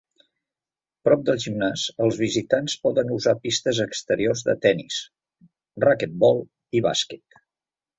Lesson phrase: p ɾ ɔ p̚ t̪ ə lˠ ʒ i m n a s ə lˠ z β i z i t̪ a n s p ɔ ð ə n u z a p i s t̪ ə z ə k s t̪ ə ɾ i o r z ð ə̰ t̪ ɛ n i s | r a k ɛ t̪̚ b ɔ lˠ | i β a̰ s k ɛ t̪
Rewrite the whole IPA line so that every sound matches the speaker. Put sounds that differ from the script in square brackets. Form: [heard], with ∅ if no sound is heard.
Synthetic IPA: p ɾ ɔ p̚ [d̪] ə lˠ ʒ i m n a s ə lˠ z β i z i t̪ a n s p ɔ ð ə n u z a p i s t̪ ə z ə k s t̪ ə ɾ i o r z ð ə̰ t̪ ɛ n i s | r a k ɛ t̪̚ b ɔ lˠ | i β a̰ s k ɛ t̪